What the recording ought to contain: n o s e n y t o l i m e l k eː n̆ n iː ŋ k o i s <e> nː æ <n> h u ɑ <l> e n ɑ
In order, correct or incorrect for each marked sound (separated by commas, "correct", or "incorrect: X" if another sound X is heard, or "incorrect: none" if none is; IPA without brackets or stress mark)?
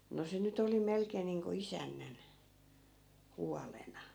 incorrect: æ, correct, correct